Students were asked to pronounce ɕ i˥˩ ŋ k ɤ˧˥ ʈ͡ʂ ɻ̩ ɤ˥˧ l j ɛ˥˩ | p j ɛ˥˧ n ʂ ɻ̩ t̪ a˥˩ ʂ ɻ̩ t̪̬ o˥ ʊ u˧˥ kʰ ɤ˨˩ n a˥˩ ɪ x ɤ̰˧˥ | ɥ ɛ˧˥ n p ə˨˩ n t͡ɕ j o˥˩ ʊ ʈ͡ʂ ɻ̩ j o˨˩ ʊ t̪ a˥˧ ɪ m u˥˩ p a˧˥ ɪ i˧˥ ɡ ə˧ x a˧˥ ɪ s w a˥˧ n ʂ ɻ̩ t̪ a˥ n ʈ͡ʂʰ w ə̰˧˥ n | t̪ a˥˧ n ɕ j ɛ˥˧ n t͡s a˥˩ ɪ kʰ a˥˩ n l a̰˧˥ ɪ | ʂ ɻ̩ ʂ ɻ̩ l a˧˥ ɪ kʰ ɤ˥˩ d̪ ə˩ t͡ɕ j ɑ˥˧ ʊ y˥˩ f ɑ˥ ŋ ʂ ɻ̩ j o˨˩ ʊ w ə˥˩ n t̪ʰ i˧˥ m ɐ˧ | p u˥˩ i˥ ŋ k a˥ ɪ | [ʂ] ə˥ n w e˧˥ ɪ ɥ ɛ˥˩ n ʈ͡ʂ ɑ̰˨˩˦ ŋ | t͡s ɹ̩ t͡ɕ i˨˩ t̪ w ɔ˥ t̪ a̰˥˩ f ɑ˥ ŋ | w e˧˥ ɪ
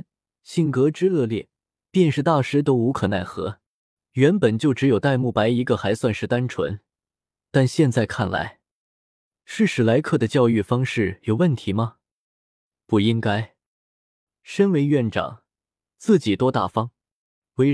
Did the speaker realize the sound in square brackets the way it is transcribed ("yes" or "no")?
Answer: yes